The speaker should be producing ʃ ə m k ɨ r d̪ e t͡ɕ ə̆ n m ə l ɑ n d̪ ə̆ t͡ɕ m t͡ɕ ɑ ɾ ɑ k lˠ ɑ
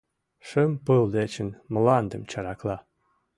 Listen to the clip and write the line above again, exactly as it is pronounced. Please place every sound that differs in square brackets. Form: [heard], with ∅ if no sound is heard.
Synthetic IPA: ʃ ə m [p] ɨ [l] d̪ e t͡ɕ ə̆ n m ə l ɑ n d̪ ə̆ [∅] m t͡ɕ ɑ ɾ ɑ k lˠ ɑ

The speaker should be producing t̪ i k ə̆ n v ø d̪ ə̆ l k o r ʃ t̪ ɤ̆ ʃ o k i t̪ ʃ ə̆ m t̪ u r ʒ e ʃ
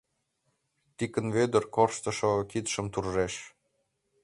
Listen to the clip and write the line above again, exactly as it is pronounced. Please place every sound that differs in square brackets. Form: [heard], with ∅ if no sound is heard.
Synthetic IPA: t̪ i k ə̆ n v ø d̪ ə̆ [r] k o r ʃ t̪ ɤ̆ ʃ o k i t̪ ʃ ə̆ m t̪ u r ʒ e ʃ

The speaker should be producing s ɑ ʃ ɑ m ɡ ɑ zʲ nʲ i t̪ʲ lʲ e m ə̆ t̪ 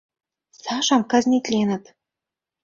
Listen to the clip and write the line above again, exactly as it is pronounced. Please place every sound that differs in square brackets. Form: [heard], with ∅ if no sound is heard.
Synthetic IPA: s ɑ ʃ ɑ m [k] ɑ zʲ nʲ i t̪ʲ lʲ e [n] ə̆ t̪

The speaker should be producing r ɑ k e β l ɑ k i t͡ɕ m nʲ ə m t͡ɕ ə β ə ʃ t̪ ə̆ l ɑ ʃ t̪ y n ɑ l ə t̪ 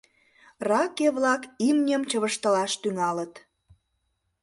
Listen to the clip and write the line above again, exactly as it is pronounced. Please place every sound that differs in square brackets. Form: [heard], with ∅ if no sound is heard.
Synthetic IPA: r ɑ k e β l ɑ k i [∅] m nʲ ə m t͡ɕ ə β ə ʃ t̪ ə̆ l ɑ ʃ t̪ y [ŋ] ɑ l ə t̪

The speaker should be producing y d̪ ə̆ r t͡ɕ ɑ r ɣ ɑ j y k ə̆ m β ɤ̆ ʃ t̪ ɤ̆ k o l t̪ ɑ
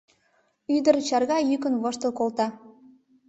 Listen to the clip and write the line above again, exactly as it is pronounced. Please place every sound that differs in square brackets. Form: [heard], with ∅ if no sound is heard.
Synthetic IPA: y d̪ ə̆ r t͡ɕ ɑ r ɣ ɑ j y k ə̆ [n] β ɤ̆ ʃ t̪ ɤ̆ k o l t̪ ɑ

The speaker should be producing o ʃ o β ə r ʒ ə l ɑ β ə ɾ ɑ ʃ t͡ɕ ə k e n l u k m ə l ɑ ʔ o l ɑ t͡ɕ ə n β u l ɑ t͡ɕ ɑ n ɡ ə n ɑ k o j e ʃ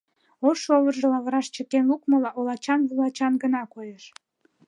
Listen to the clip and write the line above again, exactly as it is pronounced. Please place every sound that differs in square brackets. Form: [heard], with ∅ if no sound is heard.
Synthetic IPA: o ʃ o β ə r ʒ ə l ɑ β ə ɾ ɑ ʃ t͡ɕ ə k e n l u k m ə l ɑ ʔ o l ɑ t͡ɕ [ɑ] n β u l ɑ t͡ɕ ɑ n ɡ ə n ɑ k o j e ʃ

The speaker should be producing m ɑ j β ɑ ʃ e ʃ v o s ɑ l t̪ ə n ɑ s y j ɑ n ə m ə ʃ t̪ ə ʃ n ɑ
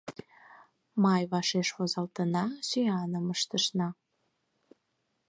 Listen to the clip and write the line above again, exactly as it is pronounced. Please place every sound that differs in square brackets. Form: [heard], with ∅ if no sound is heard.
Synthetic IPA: m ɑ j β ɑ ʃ e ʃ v o [z] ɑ l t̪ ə n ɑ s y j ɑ n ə m ə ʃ t̪ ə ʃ n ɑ

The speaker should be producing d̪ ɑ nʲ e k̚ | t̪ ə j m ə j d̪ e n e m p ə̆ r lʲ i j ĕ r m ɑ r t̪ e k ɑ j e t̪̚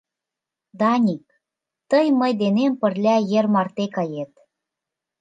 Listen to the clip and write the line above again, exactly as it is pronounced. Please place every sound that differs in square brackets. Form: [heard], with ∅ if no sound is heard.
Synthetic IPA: d̪ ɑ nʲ [i] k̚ | t̪ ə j m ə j d̪ e n e m p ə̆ r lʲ [æ] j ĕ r m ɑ r t̪ e k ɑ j e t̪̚

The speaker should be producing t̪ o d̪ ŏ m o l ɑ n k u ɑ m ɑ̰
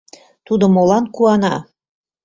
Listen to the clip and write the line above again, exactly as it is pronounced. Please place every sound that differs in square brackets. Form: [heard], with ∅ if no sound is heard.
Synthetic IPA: t̪ [u] d̪ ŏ m o l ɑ n k u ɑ [n] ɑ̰

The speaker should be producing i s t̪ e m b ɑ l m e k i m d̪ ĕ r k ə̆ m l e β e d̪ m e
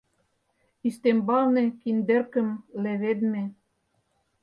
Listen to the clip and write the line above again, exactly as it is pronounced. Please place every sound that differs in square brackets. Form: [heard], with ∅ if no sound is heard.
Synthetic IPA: i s t̪ e m b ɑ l [n] e k i [n] d̪ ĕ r k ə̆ m l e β e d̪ m e

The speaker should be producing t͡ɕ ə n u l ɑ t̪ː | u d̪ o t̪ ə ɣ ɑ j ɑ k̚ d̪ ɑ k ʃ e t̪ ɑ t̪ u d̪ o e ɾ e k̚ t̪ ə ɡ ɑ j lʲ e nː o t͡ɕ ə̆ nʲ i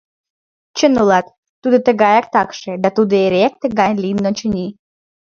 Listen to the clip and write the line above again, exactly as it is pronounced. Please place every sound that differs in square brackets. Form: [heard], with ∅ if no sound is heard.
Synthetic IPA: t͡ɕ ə n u l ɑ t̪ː | u d̪ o t̪ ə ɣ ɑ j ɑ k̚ [t̪] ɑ k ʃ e [d̪] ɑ t̪ u d̪ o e ɾ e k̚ t̪ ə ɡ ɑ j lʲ [i] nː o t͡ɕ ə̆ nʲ i

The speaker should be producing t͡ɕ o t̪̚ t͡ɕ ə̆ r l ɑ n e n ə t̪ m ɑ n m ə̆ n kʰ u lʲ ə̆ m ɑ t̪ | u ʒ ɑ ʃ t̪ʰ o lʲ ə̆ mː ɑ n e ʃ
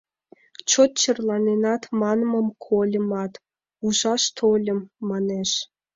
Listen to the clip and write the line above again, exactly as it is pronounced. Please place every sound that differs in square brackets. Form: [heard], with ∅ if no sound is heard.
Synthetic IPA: t͡ɕ o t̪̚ t͡ɕ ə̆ r l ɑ n e n [ɑ] t̪ m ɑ n m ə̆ [m] kʰ [o] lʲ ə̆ m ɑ t̪ | u ʒ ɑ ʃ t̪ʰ o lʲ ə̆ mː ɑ n e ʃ

